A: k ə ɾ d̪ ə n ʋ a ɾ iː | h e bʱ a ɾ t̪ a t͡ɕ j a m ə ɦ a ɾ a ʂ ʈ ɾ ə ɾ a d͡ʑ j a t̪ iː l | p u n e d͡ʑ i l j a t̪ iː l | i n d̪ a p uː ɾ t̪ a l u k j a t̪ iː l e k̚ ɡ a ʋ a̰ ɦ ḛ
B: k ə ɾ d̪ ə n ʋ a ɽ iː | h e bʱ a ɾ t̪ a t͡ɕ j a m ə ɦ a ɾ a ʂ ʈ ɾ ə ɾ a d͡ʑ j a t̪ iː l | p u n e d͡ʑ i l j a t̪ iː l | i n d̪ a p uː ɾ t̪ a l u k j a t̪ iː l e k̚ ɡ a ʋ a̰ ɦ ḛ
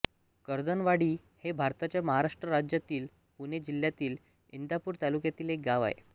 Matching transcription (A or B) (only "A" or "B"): B